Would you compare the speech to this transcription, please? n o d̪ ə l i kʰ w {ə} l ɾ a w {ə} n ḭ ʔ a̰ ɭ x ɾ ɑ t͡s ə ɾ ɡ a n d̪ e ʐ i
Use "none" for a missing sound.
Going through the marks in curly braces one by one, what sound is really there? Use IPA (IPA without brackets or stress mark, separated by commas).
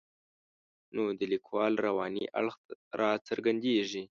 ɑ, ɑ